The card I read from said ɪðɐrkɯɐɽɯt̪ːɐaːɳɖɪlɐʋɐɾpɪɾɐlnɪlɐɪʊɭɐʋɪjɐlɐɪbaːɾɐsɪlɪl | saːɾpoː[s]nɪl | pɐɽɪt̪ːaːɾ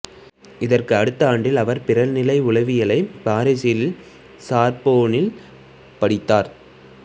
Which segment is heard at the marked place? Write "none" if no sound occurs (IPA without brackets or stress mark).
none